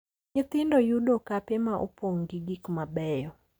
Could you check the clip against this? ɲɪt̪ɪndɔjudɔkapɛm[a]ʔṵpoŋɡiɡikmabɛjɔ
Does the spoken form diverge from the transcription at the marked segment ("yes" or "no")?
no